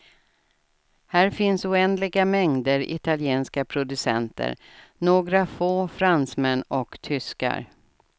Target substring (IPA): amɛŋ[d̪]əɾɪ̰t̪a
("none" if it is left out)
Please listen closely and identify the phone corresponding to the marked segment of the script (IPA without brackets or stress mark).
d̪